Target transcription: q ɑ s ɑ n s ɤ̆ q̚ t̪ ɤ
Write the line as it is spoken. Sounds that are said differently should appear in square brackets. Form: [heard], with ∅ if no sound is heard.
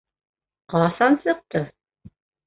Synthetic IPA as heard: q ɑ s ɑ n s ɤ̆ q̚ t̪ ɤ